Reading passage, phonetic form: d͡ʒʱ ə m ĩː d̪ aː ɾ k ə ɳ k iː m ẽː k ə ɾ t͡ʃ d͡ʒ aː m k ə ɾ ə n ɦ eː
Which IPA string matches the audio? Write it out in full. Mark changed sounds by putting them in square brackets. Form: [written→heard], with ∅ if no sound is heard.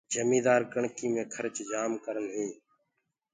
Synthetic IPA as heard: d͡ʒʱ ə m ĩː d̪ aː ɾ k ə ɳ k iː m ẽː [k→kʰ] ə ɾ t͡ʃ d͡ʒ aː m k ə ɾ ə n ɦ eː